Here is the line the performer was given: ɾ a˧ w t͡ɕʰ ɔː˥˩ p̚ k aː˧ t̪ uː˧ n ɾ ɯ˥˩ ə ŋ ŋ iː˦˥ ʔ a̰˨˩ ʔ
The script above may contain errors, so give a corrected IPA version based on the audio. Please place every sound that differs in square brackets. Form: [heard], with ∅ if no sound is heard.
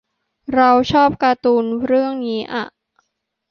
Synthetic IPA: ɾ a˧ w t͡ɕʰ ɔː˥˩ p̚ k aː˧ t̪ uː˧ n ɾ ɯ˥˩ ə ŋ [n] iː˦˥ ʔ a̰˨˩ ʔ